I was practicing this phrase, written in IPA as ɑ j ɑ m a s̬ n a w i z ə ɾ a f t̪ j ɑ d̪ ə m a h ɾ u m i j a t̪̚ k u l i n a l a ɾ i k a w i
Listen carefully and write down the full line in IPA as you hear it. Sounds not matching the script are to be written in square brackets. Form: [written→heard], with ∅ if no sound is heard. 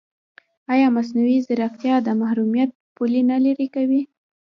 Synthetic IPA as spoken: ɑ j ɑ m a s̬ n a w i z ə ɾ a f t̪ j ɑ d̪ ə m a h ɾ u m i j a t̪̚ [k→p] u l i n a l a ɾ i k a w i